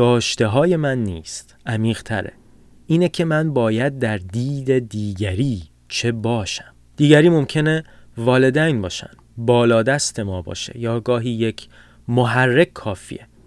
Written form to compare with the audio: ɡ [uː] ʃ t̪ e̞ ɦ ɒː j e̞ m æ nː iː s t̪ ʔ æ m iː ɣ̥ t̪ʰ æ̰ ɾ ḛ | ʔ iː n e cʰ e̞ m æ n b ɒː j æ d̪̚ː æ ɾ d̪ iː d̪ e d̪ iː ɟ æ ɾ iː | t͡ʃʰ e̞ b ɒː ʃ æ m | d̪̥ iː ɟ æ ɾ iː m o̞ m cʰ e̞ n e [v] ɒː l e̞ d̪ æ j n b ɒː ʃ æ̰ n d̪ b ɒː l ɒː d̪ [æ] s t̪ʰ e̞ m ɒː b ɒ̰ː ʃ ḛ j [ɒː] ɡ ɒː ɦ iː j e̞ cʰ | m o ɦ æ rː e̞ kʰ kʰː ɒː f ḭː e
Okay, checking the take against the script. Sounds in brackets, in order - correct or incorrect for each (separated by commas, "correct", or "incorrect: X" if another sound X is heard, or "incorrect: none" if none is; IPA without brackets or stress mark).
incorrect: ɒː, correct, correct, correct